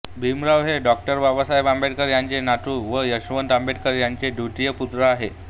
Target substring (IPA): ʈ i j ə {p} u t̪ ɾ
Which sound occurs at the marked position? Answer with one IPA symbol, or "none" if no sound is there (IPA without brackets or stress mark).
p